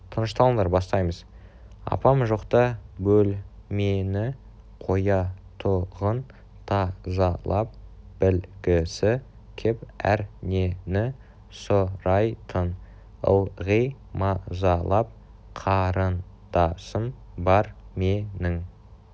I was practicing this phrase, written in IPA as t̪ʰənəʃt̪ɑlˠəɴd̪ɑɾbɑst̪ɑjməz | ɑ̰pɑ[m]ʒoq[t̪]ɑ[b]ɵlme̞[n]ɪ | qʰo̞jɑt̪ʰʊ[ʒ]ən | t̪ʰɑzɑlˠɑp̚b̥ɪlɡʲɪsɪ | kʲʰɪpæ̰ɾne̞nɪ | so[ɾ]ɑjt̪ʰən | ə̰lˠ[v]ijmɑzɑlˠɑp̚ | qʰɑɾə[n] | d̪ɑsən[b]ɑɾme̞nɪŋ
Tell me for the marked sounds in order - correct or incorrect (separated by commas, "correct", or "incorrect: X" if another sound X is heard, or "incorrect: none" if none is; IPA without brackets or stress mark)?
correct, correct, correct, correct, incorrect: ʁ, correct, incorrect: ʁ, correct, correct